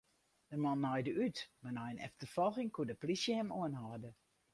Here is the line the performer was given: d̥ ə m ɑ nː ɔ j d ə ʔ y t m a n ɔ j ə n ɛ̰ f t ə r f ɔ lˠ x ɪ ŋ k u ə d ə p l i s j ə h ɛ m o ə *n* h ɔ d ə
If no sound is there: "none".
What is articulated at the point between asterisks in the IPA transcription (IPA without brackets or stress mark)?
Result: n